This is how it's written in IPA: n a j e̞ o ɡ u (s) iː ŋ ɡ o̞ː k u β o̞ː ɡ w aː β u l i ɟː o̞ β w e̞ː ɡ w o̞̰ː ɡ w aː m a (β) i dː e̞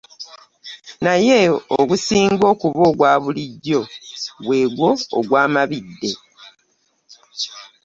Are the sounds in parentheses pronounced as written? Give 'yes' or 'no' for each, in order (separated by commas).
yes, yes